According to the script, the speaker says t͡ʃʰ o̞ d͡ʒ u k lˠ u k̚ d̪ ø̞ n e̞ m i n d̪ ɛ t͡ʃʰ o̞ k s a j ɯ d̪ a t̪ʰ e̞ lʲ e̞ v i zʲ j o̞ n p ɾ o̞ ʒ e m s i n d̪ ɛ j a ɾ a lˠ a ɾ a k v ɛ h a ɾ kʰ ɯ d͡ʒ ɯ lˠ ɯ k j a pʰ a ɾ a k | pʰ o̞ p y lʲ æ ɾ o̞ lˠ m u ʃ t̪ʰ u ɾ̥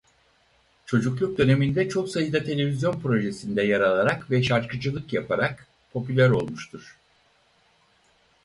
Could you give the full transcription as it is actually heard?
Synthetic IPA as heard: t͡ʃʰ o̞ d͡ʒ u k lˠ u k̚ d̪ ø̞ n e̞ m i n d̪ ɛ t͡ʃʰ o̞ k s a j ɯ d̪ a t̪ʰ e̞ lʲ e̞ v i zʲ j o̞ n p ɾ o̞ ʒ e s i n d̪ ɛ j a ɾ a lˠ a ɾ a k v ɛ ʃ a ɾ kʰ ɯ d͡ʒ ɯ lˠ ɯ k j a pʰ a ɾ a k | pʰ o̞ p y lʲ æ ɾ o̞ lˠ m u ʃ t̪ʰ u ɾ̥